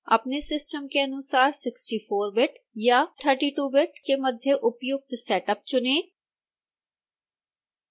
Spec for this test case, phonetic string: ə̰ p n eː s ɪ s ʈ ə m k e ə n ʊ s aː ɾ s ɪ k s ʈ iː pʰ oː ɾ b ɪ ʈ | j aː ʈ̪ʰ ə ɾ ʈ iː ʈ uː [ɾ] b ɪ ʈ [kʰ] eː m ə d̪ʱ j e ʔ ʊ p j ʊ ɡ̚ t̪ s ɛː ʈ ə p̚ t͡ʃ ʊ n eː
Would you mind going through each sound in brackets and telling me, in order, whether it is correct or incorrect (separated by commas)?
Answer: incorrect, incorrect